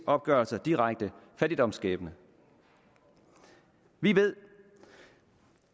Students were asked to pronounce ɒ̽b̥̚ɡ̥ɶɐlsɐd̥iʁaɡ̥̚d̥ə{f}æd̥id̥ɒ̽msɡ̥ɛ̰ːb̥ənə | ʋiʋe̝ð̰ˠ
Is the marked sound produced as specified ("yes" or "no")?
yes